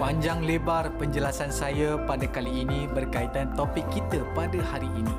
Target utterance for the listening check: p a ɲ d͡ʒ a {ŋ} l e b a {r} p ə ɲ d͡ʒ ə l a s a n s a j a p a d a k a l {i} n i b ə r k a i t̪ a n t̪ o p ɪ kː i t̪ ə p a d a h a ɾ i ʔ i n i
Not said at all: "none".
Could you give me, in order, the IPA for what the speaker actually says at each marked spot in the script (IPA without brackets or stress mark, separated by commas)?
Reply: ŋ, r, iː